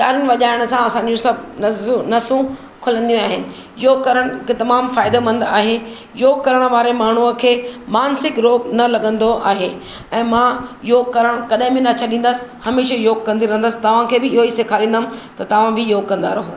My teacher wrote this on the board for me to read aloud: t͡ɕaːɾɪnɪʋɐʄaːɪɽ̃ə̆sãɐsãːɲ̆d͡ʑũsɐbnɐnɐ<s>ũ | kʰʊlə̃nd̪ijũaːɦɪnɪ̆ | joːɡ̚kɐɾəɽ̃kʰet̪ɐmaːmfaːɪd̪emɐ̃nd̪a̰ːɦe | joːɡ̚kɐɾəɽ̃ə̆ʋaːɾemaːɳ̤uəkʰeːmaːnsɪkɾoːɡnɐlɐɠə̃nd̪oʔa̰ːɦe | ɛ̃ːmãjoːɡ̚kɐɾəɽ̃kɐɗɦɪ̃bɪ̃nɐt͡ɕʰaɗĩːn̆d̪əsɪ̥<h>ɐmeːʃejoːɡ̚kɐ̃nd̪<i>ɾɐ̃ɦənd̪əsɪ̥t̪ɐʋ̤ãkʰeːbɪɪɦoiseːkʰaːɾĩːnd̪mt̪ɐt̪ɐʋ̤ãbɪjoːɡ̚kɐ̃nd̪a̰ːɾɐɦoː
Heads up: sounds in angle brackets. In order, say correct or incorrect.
correct, correct, correct

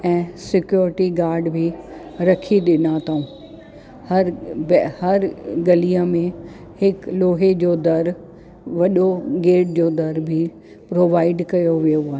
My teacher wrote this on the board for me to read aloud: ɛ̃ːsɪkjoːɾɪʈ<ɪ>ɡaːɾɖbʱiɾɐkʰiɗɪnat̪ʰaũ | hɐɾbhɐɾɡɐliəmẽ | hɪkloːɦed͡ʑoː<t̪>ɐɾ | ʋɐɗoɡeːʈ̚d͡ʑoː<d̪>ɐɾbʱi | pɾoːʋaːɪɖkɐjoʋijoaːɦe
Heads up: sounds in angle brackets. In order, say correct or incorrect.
incorrect, incorrect, correct

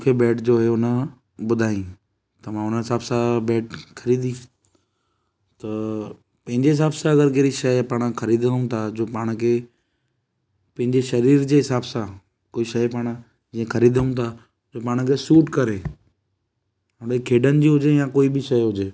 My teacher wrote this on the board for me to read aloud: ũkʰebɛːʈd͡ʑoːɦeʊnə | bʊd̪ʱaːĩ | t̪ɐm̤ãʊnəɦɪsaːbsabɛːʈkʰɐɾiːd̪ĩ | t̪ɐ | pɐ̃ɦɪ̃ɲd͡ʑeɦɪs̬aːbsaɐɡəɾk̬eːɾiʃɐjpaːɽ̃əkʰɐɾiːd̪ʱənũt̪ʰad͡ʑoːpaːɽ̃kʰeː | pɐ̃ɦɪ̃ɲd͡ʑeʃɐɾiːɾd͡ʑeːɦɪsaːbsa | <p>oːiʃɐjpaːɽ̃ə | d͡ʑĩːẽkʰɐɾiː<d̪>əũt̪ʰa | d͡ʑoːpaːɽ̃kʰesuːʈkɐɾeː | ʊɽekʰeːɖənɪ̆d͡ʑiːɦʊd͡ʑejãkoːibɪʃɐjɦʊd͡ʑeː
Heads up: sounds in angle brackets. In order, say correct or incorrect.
incorrect, correct

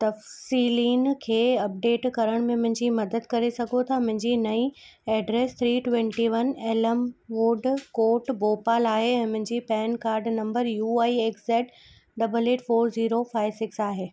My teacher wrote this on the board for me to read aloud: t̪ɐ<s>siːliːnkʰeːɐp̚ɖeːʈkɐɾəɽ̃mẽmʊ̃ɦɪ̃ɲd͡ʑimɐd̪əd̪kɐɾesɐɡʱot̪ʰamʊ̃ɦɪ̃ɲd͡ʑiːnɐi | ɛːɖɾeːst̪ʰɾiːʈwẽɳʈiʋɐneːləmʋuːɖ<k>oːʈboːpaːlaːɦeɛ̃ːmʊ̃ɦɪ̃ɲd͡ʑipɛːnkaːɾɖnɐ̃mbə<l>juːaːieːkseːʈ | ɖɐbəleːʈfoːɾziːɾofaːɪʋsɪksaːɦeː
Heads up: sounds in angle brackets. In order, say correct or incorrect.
incorrect, correct, incorrect

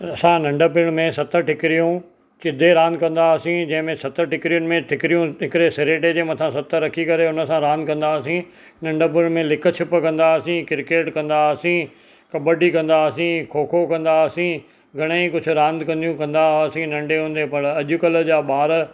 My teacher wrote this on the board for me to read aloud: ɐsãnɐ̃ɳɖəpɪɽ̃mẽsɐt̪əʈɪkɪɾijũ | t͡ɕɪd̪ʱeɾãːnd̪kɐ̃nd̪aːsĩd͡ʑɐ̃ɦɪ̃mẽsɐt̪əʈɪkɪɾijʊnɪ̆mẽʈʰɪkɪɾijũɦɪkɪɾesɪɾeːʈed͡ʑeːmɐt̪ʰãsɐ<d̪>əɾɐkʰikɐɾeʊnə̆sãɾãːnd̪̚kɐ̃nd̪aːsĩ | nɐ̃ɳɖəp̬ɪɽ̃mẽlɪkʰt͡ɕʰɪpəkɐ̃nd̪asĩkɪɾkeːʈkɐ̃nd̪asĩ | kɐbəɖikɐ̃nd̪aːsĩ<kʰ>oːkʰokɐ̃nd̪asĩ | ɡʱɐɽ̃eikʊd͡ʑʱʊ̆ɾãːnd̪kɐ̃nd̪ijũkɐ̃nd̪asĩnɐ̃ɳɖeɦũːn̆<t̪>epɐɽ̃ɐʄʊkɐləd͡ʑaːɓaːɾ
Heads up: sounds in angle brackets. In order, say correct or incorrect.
incorrect, correct, incorrect

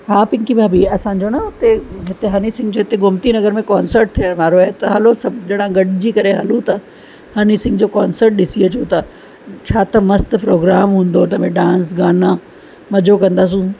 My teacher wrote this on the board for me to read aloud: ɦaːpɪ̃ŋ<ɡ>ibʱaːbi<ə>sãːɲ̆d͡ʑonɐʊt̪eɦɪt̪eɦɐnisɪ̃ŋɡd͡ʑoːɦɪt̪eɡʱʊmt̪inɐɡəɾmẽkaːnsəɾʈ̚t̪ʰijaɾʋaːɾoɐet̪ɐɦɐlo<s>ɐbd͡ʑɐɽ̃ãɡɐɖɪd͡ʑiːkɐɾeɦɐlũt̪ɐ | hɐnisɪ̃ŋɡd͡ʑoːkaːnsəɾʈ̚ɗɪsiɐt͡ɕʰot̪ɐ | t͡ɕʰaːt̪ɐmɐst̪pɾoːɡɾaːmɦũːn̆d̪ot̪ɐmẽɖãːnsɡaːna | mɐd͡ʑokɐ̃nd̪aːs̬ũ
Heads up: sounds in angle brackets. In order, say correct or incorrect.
incorrect, incorrect, correct

